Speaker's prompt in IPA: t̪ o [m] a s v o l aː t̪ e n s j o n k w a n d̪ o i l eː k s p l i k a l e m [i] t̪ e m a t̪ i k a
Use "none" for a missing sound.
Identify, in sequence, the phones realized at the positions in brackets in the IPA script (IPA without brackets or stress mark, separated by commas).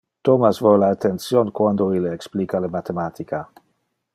m, a